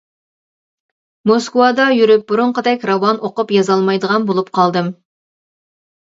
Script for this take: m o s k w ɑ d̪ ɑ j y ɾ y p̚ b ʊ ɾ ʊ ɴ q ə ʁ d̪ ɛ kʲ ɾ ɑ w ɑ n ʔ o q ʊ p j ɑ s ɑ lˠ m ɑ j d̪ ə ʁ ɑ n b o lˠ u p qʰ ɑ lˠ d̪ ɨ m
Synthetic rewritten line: m o s k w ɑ d̪ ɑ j y ɾ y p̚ b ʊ ɾ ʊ ɴ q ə d̪ ɛ kʲ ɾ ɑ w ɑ n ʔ o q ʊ p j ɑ z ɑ lˠ m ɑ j d̪ ə ʁ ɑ n b o lˠ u p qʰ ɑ lˠ d̪ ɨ m